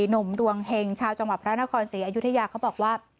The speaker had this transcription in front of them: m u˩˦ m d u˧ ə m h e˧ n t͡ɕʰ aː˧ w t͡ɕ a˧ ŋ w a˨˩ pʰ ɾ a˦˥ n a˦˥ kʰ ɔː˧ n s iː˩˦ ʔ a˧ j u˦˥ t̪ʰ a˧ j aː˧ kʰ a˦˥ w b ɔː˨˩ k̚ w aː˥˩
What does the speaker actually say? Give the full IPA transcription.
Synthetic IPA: n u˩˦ m d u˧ ə ŋ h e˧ ŋ t͡ɕʰ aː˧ w t͡ɕ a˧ ŋ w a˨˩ pʰ ɾ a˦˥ n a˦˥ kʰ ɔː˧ n s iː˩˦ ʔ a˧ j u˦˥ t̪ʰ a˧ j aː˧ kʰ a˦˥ w b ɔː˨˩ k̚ w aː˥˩